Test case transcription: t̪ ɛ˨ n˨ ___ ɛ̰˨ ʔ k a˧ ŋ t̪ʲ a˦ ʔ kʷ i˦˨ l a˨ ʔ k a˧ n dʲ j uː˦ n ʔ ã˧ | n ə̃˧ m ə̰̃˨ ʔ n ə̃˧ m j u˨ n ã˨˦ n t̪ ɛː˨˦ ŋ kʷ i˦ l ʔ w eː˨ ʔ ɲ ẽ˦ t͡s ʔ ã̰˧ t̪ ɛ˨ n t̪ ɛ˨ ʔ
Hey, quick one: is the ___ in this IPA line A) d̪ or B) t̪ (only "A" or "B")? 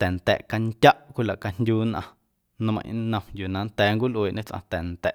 B